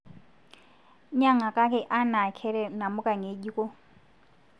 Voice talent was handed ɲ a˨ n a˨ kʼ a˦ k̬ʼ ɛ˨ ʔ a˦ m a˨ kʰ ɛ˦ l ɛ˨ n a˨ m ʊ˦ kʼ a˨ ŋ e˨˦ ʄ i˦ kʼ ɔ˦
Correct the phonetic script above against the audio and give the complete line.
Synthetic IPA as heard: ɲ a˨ ŋ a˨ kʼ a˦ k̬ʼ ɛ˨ ʔ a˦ n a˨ kʰ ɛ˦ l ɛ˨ n a˨ m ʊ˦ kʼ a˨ ŋ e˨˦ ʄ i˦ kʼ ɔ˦